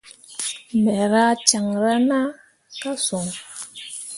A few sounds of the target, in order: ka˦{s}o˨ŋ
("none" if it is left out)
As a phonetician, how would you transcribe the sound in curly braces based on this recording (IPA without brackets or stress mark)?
s